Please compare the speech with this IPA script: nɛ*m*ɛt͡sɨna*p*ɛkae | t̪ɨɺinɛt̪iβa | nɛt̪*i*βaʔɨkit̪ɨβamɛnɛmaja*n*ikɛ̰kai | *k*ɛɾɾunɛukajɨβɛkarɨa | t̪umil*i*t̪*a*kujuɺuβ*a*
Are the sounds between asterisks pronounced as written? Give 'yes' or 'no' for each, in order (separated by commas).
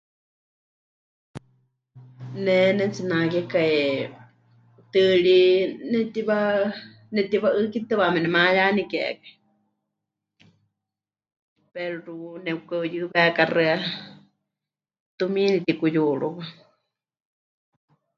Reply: no, no, yes, yes, no, yes, no, yes